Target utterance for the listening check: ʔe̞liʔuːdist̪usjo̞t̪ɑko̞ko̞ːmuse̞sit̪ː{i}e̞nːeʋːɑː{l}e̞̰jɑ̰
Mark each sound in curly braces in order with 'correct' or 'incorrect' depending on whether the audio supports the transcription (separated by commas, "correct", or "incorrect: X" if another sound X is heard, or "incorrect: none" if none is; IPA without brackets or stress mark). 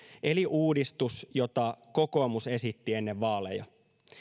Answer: correct, correct